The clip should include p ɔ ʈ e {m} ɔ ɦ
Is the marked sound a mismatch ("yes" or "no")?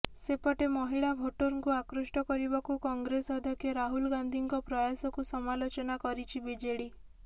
no